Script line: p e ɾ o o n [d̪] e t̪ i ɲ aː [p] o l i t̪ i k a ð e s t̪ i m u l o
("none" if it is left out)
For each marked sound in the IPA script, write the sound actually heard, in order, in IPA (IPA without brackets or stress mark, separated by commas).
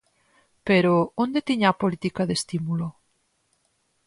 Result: d̪, p